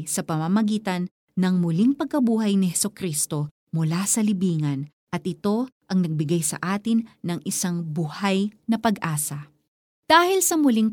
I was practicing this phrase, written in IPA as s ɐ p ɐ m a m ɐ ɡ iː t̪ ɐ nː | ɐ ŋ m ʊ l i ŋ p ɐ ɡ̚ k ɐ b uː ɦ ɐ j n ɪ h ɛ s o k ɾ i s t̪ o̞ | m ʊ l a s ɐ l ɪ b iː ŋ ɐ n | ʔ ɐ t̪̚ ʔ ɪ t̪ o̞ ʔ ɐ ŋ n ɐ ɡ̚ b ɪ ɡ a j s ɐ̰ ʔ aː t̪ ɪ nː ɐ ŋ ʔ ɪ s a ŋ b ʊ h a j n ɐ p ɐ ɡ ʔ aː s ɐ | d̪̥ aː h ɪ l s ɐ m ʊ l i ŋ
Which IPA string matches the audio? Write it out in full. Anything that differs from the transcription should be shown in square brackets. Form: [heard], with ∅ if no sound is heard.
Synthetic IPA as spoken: s ɐ p ɐ m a m ɐ ɡ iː t̪ ɐ nː | ɐ ŋ m ʊ l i ŋ p ɐ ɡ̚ k ɐ b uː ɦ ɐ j n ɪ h ɛ s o k ɾ i s t̪ o̞ | m ʊ l a s ɐ l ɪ b iː ŋ ɐ n | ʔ ɐ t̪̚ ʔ ɪ t̪ o̞ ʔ ɐ ŋ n ɐ ɡ̚ b ɪ ɡ a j s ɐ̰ ʔ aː t̪ ɪ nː ɐ ŋ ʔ ɪ s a ŋ b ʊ h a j n ɐ p ɐ ɡ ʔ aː s ɐ | d̪̥ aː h ɪ l s ɐ m ʊ l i ŋ